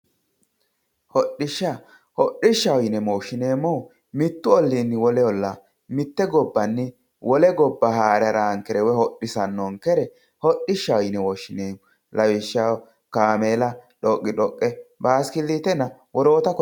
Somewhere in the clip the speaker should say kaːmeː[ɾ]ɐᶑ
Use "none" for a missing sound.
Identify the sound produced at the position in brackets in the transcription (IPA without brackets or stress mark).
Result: l